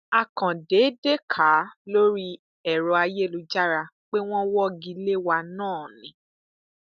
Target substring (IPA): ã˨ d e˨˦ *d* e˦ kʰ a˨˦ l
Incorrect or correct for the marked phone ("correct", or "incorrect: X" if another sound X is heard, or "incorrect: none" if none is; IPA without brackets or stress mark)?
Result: correct